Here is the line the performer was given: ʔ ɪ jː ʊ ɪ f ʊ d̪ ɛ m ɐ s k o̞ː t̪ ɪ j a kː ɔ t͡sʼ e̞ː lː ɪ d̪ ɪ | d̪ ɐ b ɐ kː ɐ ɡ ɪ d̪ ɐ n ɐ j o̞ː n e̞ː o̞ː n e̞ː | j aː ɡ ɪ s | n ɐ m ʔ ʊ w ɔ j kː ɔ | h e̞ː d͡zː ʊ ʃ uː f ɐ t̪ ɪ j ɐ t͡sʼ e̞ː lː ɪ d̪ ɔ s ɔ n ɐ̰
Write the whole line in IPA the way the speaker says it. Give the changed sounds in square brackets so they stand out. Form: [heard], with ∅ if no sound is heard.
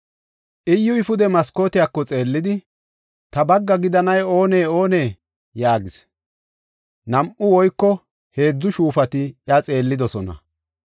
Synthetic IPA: ʔ ɪ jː ʊ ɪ f ʊ d̪ ɛ m ɐ s k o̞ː t̪ ɪ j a kː ɔ t͡sʼ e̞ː lː ɪ d̪ ɪ | [t̪] ɐ b ɐ [ɡː] ɐ ɡ ɪ d̪ ɐ n ɐ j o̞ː n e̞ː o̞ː n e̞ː | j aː ɡ ɪ s | n ɐ m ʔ ʊ w ɔ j kː ɔ | h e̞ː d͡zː ʊ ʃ uː f ɐ t̪ ɪ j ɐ t͡sʼ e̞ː lː ɪ d̪ ɔ s ɔ n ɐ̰